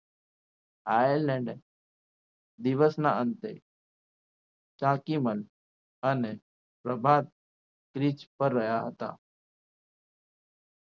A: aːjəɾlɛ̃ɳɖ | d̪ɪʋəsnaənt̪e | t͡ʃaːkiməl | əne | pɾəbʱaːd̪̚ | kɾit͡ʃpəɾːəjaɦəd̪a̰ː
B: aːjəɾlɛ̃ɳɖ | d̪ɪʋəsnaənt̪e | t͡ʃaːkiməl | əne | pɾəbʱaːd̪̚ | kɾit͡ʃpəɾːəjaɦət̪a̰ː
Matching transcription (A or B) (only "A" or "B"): B